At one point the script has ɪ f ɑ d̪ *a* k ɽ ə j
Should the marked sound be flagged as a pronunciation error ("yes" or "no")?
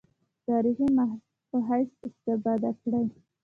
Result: no